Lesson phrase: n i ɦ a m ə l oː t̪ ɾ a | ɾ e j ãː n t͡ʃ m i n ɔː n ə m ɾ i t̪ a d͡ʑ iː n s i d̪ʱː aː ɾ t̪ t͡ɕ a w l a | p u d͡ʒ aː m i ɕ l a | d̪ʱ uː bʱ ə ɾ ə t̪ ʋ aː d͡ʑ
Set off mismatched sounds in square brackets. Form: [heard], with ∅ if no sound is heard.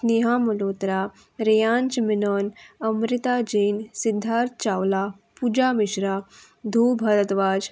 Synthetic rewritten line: n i ɦ a m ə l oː t̪ ɾ a | ɾ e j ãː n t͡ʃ m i n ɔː n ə m ɾ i t̪ a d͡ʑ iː n s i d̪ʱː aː ɾ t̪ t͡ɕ a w l a | p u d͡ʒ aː m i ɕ [ɾ] a | d̪ʱ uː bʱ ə ɾ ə t̪ ʋ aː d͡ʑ